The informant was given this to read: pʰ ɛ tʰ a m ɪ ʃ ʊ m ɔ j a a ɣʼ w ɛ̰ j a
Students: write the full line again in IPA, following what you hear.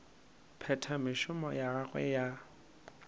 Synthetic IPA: pʰ ɛ tʰ a m ɪ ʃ ʊ m ɔ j a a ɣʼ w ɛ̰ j a